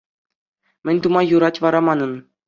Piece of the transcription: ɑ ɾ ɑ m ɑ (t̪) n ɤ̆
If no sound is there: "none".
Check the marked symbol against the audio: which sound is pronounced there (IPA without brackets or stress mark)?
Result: none